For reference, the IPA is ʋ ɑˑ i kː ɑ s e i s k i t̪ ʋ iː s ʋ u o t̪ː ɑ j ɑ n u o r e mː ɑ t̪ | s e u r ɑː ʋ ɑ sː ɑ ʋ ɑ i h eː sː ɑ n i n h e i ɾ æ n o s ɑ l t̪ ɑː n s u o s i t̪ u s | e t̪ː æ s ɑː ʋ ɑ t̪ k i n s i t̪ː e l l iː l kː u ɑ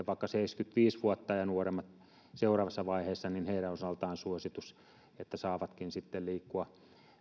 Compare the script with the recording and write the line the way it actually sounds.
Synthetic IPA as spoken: ʋ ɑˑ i kː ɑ s e i s k y t̪ ʋ iː s ʋ u o t̪ː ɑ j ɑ n u o r e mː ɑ t̪ | s e u r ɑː ʋ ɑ sː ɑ ʋ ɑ i h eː sː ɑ n i n h e i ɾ æ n o s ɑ l t̪ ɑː n s u o s i t̪ u s | e t̪ː æ s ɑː ʋ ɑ t̪ k i n s i t̪ː e l l iː kː u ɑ